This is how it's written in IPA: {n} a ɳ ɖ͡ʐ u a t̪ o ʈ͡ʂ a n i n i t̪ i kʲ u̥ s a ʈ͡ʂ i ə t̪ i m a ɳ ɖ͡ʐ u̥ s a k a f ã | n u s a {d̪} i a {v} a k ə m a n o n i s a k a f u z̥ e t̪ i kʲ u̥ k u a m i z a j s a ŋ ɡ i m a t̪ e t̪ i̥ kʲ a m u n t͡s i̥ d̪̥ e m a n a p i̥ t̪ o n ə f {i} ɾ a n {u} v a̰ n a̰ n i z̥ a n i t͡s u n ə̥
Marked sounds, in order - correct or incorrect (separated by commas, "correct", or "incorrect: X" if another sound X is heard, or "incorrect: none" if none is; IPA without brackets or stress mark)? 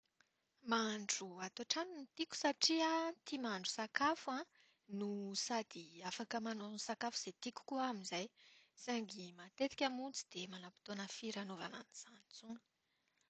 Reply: incorrect: m, correct, incorrect: f, correct, incorrect: o